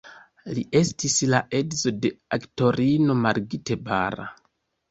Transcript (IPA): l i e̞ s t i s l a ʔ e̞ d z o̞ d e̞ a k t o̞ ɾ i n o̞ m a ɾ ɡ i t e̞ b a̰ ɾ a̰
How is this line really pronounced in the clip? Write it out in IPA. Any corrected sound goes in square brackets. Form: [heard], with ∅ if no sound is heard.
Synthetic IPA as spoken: l i e̞ s t i s l a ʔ e̞ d z o̞ d e̞ a k t o̞ ɾ i n o̞ m a ɾ ɡ i t e̞ b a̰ ɾ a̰